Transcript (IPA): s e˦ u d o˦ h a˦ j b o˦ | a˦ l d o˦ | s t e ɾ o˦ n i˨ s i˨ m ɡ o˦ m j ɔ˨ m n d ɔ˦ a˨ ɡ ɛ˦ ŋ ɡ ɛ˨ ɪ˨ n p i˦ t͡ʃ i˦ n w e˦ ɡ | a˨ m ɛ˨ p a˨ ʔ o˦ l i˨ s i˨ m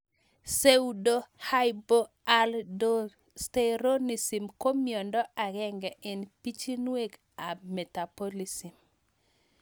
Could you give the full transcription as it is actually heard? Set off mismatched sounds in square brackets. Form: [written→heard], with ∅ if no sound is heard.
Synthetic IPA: s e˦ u d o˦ h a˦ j b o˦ | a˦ l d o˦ | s t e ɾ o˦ n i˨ s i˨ m [ɡ→k] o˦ m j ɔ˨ [m→∅] n d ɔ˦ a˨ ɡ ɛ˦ ŋ ɡ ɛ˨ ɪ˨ n p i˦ t͡ʃ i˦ n w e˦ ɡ | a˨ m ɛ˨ [p→t] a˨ [ʔ→p] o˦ l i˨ s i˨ m